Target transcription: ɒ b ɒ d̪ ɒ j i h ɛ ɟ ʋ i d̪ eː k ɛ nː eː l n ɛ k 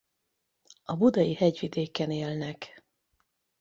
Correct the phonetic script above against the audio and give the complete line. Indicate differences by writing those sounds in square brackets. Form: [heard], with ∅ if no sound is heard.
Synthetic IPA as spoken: ɒ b [u] d̪ ɒ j i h ɛ ɟ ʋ i d̪ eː k ɛ [n] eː l n ɛ k

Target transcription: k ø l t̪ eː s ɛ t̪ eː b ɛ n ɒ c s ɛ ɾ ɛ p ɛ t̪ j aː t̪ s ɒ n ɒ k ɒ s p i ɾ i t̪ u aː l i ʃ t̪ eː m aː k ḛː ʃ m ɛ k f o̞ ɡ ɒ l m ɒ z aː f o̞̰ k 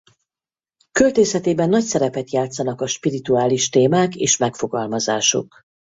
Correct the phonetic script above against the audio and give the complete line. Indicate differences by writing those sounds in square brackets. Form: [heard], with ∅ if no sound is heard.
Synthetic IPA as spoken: k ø l t̪ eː s ɛ t̪ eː b ɛ [nː] ɒ c s ɛ ɾ ɛ p ɛ t̪ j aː t̪ s ɒ n ɒ k ɒ [ʃ] p i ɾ i t̪ u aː l i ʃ t̪ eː m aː k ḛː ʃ m ɛ k f o̞ ɡ ɒ l m ɒ z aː [ʃ] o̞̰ k

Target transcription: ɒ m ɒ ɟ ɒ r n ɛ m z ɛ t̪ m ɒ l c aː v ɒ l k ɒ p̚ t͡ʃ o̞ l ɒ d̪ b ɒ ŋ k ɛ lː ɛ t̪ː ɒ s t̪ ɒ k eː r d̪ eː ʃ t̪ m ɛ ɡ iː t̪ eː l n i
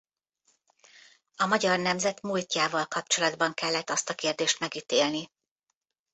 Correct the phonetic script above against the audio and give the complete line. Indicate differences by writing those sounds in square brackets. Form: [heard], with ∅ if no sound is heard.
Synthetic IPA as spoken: ɒ m ɒ ɟ ɒ r n ɛ m z ɛ t̪ m [u] l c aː v ɒ l k ɒ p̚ t͡ʃ o̞ l ɒ d̪ b ɒ ŋ k ɛ lː ɛ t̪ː ɒ s t̪ ɒ k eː r d̪ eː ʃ t̪ m ɛ ɡ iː t̪ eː l n i

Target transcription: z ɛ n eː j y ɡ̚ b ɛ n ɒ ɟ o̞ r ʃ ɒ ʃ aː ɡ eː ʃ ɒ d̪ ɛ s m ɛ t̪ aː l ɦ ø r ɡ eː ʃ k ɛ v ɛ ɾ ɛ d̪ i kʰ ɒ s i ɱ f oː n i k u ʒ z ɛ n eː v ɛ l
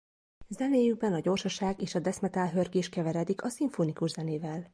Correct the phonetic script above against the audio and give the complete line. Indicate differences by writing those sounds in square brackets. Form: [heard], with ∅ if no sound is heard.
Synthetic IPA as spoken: z ɛ n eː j y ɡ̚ b ɛ n ɒ ɟ o̞ r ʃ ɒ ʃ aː ɡ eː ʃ ɒ d̪ ɛ s m ɛ t̪ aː l ɦ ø r ɡ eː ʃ k ɛ v ɛ ɾ ɛ d̪ i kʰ ɒ s i ɱ f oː n i k u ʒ z ɛ n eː v ɛ l

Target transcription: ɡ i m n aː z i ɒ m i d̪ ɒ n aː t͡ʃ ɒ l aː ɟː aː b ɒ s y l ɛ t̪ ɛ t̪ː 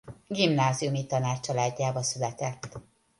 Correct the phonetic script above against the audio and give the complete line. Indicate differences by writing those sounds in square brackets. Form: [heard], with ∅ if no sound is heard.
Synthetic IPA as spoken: ɡ i m n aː z i [u] m i [t̪] ɒ n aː t͡ʃ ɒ l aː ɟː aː b ɒ s y l ɛ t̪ ɛ t̪ː

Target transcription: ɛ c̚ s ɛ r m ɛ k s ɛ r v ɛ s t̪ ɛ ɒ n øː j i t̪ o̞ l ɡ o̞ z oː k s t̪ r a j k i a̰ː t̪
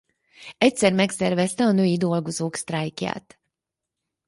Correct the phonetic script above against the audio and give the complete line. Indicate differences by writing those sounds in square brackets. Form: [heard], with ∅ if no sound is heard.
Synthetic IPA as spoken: ɛ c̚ s ɛ r m ɛ k s ɛ r v ɛ s t̪ ɛ ɒ n øː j i [d̪] o̞ l ɡ o̞ z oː k s t̪ r a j k [j] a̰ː t̪

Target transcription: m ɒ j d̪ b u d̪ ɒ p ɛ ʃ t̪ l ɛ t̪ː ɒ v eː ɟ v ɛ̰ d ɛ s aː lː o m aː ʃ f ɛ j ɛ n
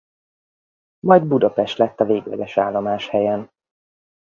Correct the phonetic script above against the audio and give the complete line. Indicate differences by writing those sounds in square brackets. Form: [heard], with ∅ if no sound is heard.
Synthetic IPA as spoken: m ɒ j d̪ b u d̪ ɒ p ɛ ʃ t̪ l ɛ t̪ː ɒ v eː [ɡ] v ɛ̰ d ɛ [ʃ] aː lː o m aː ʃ [h] ɛ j ɛ n

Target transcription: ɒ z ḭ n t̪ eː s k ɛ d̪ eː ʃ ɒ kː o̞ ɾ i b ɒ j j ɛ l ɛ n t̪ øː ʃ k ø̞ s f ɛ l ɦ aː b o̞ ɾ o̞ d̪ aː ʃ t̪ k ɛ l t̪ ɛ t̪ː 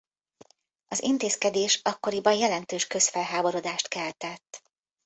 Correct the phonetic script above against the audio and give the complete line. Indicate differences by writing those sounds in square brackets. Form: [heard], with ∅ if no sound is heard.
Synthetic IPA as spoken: ɒ z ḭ n t̪ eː s k ɛ d̪ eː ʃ ɒ kː o̞ ɾ i b ɒ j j ɛ l ɛ n t̪ øː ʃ k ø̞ s f ɛ l ɦ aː b o̞ ɾ o̞ d̪ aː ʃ t̪ k ɛ l t̪ ɛ t̪ː

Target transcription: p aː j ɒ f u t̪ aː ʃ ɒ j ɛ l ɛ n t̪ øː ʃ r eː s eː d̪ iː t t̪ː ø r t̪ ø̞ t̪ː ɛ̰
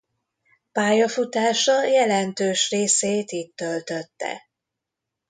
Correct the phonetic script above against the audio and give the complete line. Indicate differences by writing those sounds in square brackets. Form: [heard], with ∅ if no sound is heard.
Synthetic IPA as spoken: p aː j ɒ f u t̪ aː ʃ ɒ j ɛ l ɛ n t̪ øː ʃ r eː s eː [t̪] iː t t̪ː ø [l] t̪ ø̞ t̪ː ɛ̰

